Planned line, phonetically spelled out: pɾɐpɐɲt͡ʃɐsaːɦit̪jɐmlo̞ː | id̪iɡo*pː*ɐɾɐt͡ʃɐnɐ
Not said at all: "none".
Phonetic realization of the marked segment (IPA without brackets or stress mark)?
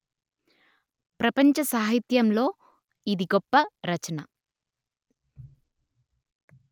pː